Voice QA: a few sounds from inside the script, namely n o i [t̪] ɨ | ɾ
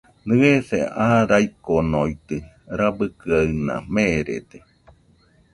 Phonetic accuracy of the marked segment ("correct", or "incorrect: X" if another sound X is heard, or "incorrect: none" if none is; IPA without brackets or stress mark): correct